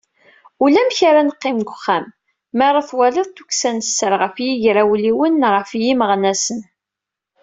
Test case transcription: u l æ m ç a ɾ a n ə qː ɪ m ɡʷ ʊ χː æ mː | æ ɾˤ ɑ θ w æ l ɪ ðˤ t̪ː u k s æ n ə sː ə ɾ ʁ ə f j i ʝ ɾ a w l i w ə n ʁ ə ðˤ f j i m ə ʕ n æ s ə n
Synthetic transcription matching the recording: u l æ m ç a ɾ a n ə qː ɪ m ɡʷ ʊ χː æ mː | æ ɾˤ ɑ θ w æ l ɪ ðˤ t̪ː u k s æ n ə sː ə ɾ ʁ ə f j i ʝ ɾ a w l i w ə n ʁ ə f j i m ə ʁ n æ s ə n

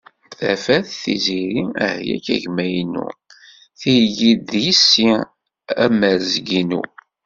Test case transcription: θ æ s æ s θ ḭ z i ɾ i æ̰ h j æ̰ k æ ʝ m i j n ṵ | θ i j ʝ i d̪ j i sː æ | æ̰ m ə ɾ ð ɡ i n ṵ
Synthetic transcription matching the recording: θ æ f æ θ θ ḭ z i ɾ i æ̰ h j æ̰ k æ ʝ m æ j n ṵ | θ i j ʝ i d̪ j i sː i | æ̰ m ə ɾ z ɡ i n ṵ

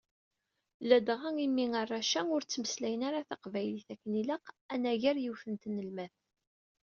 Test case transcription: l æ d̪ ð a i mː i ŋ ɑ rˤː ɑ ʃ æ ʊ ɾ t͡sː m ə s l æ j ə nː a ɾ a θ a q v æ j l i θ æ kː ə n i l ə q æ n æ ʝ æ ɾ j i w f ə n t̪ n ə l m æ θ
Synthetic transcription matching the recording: l æ d̪ ʁ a i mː i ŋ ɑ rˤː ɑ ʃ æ ʊ ɾ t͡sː m ə s l æ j ə n a ɾ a θ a q v æ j l i θ æ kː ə n i l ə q æ n æ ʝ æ ɾ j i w f ə n t̪ n ə l m æ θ

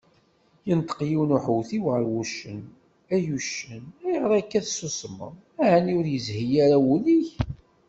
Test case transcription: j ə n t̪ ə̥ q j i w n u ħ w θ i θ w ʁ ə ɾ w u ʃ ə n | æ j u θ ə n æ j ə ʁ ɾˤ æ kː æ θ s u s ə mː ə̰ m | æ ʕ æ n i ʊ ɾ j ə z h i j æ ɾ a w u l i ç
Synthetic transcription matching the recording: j ə n t̪ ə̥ q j i w n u ħ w θ i w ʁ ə ɾ w u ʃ ə n | æ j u ʃ ə n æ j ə ʁ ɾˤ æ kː æ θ s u s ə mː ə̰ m | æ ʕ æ n i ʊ ɾ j ə z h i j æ ɾ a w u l i ç

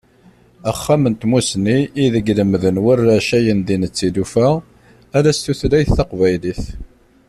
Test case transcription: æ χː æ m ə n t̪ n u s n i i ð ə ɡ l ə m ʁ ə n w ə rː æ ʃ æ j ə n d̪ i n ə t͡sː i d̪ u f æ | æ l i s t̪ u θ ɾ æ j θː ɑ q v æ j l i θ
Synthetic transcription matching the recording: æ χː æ m ə n t̪ m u s n i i ð ə ɡ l ə m ð ə n w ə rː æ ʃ æ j ə n d̪ i n ə t͡sː i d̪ u f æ | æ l æ s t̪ u θ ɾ æ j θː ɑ q v æ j l i θ

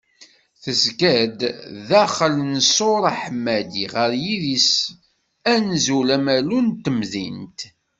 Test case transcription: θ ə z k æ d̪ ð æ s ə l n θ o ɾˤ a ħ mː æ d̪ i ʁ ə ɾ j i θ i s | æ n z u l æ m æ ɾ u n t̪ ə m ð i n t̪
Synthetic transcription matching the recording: θ ə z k æ d̪ ð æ χ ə l n s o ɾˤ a ħ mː æ d̪ i ʁ ə ɾ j i ð i s | æ n z u l æ m æ l u n t̪ ə m ð i n t̪

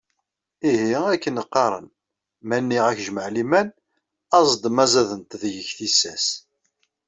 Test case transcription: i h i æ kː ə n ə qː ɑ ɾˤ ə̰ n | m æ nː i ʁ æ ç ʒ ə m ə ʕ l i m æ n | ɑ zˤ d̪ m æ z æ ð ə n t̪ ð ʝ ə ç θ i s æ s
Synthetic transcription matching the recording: i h i æ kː ə n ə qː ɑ ɾˤ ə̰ n | m æ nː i ʁ æ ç ʒ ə m ə ʕ l i m æ n | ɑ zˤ d̪ m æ z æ ð ə n t̪ ð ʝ ə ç θ i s æ s

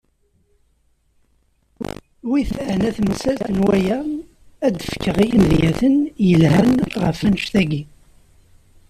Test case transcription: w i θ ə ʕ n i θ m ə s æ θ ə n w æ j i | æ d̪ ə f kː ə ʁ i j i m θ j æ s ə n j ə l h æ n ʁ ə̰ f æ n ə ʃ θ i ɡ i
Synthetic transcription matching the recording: w i θ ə ʕ n æ θ m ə s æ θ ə n w æ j æ | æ d̪ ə f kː ə ʁ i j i m ð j æ θ ə n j ə l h æ n ʁ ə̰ f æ n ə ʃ θ æ ɡ i

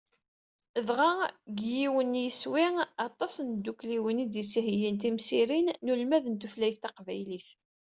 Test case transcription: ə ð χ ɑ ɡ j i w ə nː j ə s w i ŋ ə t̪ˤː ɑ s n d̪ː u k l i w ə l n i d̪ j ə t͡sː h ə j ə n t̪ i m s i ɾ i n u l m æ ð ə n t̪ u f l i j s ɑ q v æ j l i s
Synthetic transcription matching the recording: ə ð ʁ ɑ ɡ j i w ə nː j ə s w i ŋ ɑ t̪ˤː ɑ s n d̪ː u k l i w ə n i d̪ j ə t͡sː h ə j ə n t̪ i m s i ɾ i nː u l m æ ð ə n t̪ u f l æ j θ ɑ q v æ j l i θ

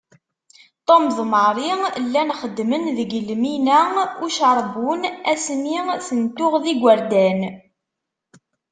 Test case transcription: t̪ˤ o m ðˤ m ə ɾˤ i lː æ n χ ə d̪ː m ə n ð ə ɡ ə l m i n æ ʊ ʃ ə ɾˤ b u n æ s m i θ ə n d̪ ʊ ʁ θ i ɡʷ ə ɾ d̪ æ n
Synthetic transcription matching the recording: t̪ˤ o m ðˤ m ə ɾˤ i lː æ n χ ə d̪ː m ə n ð ə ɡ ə l m i n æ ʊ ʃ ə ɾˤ b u n æ s m i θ ə n t̪ ʊ ʁ ð i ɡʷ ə ɾ d̪ æ n

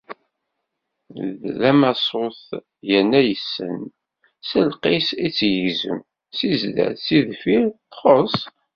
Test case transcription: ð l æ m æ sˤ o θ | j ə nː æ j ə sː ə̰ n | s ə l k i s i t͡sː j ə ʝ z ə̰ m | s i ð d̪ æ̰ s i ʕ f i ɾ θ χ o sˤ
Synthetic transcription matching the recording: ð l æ m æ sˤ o θ | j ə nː æ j ə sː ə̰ n | s ə l q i s i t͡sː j ə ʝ z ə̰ m | s i z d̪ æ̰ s i ð f i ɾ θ χ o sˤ

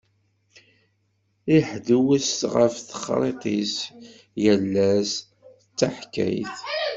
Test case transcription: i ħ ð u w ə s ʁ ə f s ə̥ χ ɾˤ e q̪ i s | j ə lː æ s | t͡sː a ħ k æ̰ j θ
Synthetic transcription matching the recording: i ħ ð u w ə s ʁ ə f θ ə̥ χ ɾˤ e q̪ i s | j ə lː æ s | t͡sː a ħ k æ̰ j θ

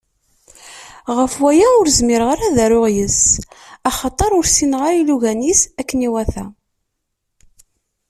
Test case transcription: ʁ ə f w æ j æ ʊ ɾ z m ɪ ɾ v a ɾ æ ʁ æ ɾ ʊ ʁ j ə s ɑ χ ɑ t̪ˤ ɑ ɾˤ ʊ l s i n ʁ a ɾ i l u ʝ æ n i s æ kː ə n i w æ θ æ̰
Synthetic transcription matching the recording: ʁ ə f w æ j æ ʊ ɾ z m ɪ ɾ ʁ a ɾ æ ð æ ɾ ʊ ʁ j ə s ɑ χ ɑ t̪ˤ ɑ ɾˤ ʊ ɾ s i n ʁ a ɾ i l u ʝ æ n i s æ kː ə n i w æ θ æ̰

